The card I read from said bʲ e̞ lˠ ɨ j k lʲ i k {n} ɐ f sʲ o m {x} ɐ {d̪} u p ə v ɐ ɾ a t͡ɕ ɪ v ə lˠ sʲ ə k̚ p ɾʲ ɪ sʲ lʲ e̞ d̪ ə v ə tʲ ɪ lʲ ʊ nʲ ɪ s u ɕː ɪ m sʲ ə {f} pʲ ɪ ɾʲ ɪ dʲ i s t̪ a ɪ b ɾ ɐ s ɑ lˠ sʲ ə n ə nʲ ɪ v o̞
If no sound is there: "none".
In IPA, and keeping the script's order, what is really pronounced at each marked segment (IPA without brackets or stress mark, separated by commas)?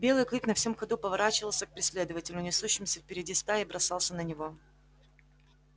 n, x, d̪, f